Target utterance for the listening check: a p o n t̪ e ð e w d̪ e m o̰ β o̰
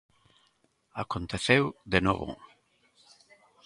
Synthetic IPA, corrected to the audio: a k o n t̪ e θ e w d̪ e n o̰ β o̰